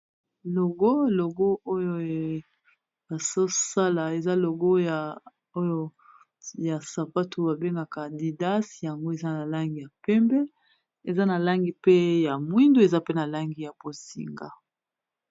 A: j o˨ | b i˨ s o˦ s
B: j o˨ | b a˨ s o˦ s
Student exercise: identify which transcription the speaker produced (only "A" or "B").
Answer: B